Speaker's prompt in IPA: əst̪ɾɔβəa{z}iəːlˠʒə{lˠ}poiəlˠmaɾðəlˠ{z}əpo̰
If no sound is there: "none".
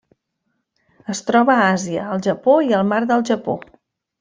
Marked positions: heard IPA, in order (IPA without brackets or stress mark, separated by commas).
z, none, ʒ